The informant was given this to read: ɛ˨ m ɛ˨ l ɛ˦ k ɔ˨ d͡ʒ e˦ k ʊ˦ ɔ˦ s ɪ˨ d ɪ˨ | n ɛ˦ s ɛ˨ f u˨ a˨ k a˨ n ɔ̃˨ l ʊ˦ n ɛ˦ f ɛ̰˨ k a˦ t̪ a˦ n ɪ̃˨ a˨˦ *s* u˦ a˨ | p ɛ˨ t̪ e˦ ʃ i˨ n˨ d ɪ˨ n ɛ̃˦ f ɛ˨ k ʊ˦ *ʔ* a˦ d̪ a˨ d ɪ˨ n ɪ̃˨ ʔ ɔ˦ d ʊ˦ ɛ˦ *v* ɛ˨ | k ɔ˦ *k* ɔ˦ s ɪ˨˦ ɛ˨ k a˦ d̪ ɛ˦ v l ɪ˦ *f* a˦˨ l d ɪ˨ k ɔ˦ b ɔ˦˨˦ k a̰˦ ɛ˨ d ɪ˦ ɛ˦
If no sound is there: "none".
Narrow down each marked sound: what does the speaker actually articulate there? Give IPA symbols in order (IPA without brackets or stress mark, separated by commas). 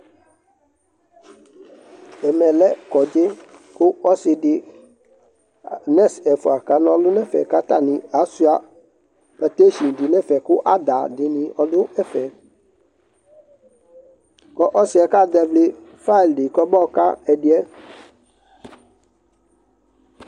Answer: s, ʔ, f, ʔ, f